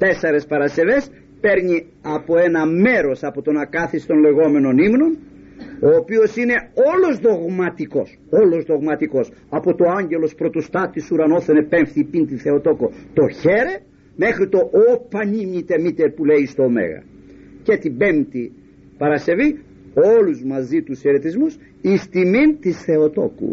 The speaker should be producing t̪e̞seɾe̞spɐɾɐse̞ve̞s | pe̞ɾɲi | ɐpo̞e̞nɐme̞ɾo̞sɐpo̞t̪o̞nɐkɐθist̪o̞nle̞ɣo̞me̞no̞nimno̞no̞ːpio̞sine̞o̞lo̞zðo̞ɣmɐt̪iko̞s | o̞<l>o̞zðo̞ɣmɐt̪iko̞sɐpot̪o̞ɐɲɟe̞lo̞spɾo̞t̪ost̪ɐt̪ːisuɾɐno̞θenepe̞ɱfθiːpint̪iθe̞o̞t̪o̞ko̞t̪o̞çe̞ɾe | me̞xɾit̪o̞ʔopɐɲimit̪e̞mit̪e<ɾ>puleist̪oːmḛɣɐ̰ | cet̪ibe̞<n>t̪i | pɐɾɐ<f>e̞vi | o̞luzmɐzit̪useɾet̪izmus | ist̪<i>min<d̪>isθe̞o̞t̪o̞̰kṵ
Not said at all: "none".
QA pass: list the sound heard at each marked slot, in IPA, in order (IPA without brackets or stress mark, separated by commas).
l, ɾ, m, s, i, t̪